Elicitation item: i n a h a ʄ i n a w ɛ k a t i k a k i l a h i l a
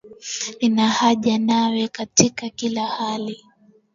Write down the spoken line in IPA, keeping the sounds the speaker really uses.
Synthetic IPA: i n a h a ʄ a n a w ɛ k a t i k a k i l a h a l i